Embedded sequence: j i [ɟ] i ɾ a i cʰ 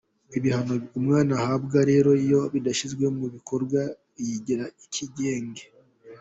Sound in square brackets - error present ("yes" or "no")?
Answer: no